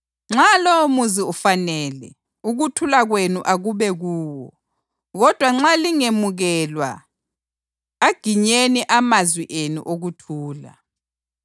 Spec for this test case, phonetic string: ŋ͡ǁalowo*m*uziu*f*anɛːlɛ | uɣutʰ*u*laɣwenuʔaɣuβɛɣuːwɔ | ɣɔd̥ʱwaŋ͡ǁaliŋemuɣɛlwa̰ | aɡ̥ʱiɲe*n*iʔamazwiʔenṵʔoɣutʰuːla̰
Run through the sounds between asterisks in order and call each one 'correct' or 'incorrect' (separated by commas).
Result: correct, correct, correct, correct